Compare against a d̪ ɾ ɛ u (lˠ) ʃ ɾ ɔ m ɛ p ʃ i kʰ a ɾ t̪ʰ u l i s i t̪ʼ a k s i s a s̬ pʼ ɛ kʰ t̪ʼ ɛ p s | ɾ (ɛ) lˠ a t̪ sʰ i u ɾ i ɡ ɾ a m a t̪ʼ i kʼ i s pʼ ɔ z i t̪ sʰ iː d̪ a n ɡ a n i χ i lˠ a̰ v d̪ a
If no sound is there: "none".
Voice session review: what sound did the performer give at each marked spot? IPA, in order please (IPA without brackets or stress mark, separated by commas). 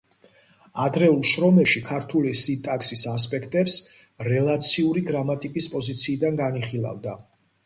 lˠ, ɛ